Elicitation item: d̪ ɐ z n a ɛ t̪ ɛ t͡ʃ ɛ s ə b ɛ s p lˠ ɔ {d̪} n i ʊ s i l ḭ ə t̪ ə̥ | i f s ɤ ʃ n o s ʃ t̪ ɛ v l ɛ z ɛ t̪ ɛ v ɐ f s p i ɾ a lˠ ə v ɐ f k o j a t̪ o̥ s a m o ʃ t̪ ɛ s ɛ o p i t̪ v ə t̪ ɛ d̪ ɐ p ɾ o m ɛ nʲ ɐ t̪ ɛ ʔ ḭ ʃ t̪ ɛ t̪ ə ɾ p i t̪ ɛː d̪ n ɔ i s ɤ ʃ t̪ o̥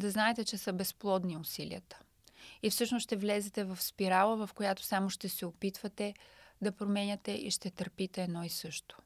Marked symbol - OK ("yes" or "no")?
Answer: yes